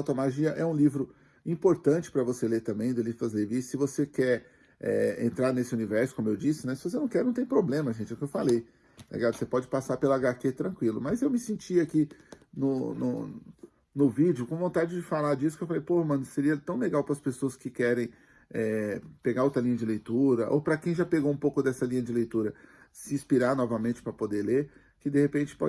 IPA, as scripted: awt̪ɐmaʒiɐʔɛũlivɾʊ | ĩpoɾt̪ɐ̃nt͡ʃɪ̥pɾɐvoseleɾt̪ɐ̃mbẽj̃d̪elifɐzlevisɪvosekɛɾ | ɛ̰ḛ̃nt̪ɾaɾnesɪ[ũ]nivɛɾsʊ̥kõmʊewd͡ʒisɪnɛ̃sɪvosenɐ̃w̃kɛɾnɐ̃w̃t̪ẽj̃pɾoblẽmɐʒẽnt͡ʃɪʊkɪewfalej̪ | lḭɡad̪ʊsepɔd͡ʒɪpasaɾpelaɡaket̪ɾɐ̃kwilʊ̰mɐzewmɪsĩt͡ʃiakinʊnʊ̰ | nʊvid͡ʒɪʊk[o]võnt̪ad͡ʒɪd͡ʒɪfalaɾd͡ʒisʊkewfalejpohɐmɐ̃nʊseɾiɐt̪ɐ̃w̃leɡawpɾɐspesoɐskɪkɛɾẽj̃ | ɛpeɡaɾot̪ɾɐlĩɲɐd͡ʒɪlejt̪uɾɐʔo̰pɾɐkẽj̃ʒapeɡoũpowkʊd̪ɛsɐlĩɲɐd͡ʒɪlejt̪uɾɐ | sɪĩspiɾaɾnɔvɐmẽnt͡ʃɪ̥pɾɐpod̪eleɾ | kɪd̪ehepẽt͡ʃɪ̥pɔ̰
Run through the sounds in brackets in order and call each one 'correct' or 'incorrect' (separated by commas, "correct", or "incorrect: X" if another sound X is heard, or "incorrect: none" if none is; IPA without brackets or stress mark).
incorrect: u, incorrect: õ